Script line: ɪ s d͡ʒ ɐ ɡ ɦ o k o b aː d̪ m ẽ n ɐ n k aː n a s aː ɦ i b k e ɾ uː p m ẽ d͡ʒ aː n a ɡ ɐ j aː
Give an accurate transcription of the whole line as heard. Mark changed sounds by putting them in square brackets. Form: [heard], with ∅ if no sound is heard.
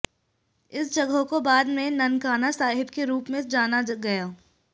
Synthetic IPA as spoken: ɪ s d͡ʒ ɐ ɡ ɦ o k o b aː d̪ m ẽ n ɐ n k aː n a s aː ɦ [ɪ] b k e ɾ uː p m ẽ d͡ʒ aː n a ɡ ɐ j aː